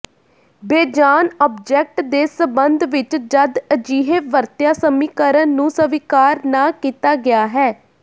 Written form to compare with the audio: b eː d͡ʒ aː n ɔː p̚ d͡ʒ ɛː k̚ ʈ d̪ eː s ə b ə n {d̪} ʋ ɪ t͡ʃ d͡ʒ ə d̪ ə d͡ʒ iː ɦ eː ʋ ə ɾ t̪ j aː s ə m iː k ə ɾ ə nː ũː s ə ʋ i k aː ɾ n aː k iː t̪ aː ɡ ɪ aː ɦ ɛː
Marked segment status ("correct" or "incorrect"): correct